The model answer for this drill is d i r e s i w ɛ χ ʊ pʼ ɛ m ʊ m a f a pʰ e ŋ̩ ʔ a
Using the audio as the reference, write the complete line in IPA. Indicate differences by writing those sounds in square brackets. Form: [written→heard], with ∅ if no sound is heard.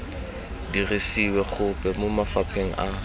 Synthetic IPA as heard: d i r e s i w ɛ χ ʊ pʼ ɛ m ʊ m a f a pʰ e ŋ̩ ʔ a